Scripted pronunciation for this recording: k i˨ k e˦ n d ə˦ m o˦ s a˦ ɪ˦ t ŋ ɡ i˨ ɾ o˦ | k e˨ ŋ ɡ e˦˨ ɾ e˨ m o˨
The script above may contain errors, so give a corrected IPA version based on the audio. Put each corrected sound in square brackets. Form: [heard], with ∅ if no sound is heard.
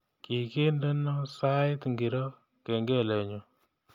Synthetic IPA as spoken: k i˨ k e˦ n d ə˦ [n] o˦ s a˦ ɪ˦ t ŋ ɡ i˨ ɾ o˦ | k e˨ ŋ ɡ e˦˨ [l] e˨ [ɲ] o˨